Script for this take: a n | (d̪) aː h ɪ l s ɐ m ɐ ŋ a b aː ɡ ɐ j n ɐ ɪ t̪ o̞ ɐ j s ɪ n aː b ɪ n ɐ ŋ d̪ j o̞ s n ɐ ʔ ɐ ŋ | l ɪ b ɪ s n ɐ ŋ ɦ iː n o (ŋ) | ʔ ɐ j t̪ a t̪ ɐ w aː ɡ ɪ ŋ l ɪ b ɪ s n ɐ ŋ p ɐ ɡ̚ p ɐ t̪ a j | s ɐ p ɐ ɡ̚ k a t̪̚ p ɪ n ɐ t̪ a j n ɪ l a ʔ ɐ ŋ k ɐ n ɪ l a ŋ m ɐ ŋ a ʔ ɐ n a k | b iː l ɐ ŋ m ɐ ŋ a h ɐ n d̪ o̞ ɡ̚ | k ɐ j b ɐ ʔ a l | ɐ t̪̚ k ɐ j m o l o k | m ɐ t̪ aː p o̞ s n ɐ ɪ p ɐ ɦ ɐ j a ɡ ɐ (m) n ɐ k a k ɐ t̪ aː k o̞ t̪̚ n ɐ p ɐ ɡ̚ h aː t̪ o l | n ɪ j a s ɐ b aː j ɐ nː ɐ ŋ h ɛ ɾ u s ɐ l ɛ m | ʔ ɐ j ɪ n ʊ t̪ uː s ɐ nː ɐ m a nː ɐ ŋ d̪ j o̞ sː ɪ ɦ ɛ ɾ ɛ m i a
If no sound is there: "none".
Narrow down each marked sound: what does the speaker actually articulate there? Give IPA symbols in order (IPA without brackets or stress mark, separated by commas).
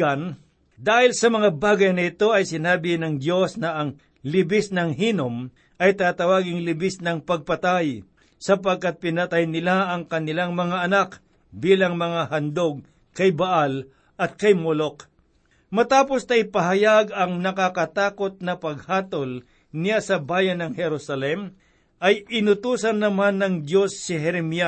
d̪, m, ŋ